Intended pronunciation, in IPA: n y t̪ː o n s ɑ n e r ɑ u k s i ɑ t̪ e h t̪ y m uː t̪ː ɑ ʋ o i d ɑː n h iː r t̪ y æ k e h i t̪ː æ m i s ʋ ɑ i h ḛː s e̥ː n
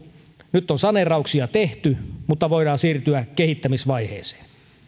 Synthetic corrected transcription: n y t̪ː o n s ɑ n e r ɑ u k s i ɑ t̪ e h t̪ y m u t̪ː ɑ ʋ o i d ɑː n s iː r t̪ y æ k e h i t̪ː æ m i s ʋ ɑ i h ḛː s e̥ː n